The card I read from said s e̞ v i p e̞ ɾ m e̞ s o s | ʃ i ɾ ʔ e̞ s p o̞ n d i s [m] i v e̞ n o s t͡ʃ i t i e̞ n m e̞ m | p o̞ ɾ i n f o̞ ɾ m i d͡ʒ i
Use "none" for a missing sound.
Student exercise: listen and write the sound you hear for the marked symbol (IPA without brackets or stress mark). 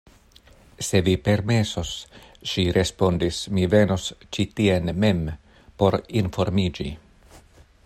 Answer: m